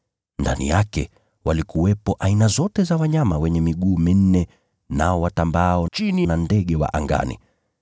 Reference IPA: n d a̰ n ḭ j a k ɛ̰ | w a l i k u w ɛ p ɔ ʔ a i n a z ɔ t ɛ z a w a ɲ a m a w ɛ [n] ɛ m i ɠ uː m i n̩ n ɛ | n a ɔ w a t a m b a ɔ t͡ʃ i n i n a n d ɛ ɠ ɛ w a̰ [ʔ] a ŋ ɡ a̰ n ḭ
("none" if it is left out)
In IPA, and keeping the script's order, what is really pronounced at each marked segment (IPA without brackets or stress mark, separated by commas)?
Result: ɲ, ʔ